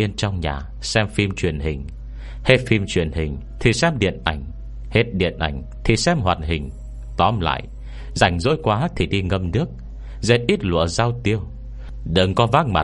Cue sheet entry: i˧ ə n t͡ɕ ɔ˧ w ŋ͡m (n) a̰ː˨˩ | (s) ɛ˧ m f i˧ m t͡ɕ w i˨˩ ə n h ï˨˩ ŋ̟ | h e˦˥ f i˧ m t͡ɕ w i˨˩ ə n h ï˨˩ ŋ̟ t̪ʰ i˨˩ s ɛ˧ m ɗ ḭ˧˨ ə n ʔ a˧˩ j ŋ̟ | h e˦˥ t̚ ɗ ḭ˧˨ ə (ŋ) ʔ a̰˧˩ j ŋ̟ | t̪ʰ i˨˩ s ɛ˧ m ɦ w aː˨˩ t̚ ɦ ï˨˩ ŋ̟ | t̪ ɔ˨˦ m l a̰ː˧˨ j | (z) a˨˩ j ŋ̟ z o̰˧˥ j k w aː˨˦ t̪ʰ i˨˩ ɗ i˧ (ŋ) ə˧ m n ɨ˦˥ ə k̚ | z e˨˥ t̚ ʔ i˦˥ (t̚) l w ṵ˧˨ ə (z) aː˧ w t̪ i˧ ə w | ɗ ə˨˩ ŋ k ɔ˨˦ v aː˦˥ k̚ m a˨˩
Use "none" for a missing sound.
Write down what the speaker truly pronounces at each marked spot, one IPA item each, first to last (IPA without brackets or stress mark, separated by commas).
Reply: ɲ, s, n, z, ŋ, t̚, z